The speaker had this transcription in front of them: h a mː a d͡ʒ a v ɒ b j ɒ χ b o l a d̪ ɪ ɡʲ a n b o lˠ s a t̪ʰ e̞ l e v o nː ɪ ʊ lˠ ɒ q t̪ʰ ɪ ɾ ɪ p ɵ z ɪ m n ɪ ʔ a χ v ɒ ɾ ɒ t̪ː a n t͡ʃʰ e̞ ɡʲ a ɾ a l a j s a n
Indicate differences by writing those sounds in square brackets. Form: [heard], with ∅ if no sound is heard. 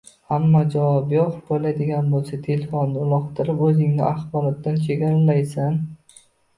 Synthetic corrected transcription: h a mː a d͡ʒ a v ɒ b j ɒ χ b o l a d̪ ɪ ɡʲ a n b o lˠ s a t̪ʰ e̞ l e [f] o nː ɪ ʊ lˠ ɒ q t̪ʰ ɪ ɾ ɪ p ɵ z ɪ [ŋ] n ɪ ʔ a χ [b] ɒ ɾ ɒ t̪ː a n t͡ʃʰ e̞ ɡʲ a ɾ a l a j s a n